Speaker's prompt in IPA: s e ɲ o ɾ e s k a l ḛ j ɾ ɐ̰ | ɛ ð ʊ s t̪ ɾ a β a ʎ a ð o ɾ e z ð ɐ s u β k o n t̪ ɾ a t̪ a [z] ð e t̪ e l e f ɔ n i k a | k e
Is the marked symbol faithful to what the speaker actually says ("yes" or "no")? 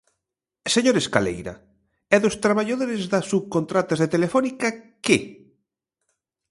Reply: yes